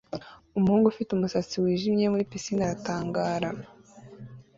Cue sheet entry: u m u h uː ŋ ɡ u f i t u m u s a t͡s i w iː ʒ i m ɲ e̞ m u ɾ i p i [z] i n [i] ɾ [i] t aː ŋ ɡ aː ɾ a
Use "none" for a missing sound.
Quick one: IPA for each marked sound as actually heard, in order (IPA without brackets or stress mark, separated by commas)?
s, a, a